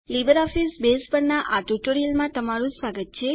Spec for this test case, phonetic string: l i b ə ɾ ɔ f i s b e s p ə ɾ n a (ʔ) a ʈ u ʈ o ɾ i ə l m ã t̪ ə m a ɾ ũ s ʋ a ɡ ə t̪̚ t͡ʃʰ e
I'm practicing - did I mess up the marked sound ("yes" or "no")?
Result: no